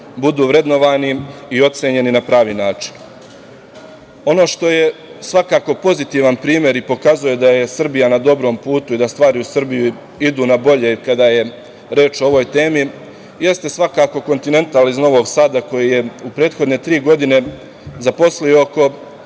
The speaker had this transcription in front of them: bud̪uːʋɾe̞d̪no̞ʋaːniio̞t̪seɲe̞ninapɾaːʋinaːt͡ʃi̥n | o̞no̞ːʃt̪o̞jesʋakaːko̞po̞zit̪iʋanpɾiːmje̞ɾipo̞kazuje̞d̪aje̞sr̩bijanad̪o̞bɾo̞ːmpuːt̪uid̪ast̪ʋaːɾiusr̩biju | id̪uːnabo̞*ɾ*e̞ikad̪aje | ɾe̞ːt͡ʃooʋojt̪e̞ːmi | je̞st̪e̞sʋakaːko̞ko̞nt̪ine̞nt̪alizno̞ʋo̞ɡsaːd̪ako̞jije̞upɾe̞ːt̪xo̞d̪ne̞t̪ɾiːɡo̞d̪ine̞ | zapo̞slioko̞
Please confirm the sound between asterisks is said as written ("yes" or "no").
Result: no